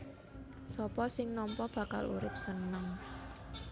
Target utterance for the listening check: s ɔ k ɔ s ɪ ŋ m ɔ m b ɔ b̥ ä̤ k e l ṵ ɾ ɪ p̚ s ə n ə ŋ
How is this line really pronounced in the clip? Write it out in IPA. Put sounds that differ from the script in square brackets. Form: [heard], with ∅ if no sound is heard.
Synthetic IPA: s ɔ [p] ɔ s ɪ ŋ [n] ɔ m [p] ɔ b̥ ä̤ k [a] l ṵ ɾ ɪ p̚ s ə n ə ŋ